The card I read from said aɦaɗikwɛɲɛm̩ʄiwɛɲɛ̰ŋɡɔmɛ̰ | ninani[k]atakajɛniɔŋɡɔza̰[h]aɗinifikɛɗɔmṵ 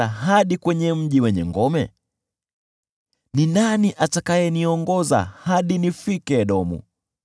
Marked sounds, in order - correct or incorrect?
incorrect: ʔ, correct

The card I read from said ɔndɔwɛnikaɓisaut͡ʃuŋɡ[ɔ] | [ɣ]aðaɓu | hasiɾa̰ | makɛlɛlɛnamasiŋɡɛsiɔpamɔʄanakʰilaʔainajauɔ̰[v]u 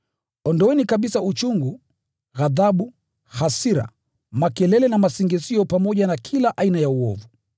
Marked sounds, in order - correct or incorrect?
incorrect: u, correct, correct

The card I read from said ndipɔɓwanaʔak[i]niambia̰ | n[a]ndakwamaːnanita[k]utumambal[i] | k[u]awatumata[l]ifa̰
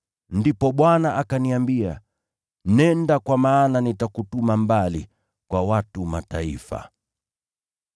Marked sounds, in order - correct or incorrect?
incorrect: a, incorrect: ɛ, correct, correct, incorrect: w, incorrect: none

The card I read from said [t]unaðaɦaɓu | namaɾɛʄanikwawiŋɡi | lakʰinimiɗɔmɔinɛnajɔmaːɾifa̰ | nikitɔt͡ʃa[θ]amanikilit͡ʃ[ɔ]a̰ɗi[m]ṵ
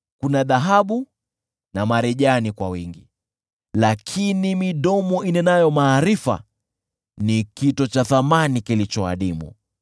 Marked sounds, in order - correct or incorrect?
incorrect: k, correct, correct, correct

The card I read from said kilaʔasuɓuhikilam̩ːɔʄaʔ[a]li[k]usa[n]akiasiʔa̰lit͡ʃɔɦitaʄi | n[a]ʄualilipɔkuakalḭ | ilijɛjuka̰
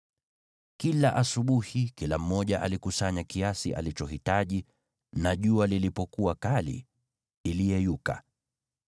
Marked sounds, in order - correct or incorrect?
correct, correct, incorrect: ɲ, correct

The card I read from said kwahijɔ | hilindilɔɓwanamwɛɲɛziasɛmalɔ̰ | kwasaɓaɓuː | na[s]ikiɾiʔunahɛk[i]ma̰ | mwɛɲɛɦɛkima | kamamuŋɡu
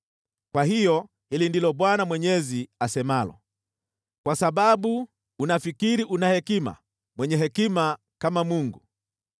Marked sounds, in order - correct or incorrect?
incorrect: f, correct

